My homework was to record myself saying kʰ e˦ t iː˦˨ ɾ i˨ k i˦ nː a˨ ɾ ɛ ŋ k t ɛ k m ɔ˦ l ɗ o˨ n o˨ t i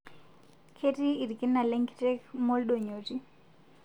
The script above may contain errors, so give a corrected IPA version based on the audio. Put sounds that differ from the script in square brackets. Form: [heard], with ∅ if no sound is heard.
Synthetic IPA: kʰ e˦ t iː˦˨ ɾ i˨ k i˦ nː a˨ [l] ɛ ŋ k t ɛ k m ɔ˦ l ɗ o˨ [ɲ] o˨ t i